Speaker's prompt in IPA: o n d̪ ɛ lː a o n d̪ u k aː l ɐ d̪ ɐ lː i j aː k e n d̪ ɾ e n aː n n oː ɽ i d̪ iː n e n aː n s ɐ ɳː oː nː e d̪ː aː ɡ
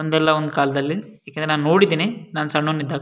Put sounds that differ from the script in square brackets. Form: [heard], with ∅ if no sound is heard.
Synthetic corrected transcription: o n d̪ ɛ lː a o n d̪ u k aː l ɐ d̪ ɐ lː i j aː k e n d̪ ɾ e n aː n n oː ɽ i d̪ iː n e n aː n s ɐ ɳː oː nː [i] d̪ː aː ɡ

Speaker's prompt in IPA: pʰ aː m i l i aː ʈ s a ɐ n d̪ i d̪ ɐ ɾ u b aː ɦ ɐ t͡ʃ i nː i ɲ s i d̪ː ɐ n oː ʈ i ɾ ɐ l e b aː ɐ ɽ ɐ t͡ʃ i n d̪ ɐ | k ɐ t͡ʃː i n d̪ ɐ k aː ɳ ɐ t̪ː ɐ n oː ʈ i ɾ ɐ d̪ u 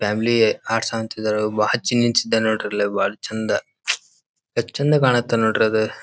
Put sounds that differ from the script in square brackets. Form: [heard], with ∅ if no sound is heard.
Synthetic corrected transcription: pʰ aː m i l i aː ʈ s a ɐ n [t̪] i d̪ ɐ ɾ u b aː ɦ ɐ t͡ʃ i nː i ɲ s i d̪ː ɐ n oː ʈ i ɾ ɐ l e b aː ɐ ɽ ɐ t͡ʃ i n d̪ ɐ | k ɐ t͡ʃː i n d̪ ɐ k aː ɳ ɐ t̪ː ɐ n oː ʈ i ɾ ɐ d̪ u

